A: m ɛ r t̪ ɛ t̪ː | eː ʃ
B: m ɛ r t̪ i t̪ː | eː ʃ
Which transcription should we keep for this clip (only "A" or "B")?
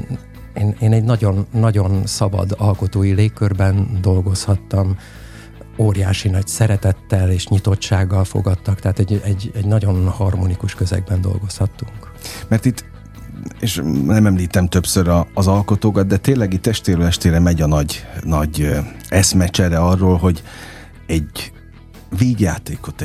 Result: B